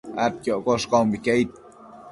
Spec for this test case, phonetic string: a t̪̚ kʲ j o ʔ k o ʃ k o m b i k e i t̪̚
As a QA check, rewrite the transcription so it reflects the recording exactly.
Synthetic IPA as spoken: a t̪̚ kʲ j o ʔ k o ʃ k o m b i k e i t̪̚